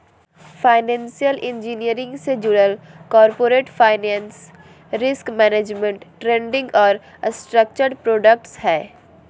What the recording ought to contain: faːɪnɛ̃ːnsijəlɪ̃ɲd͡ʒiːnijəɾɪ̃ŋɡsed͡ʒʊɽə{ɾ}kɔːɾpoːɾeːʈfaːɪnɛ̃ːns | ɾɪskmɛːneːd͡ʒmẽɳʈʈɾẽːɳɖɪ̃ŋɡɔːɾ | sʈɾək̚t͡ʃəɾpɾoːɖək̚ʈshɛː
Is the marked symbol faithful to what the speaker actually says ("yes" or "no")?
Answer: no